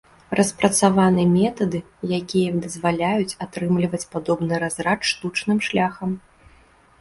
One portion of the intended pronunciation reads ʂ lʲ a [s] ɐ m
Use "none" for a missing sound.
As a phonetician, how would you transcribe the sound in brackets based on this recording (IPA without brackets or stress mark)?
x